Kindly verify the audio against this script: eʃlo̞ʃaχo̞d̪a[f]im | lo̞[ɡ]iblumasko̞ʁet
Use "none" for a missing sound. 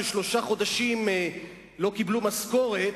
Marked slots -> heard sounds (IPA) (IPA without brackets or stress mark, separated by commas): ʃ, k